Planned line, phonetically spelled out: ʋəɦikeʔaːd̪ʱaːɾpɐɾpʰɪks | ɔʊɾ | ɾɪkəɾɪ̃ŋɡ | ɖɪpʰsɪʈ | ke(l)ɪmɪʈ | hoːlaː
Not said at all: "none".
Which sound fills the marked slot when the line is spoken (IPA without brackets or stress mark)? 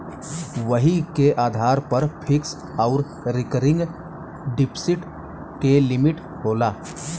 l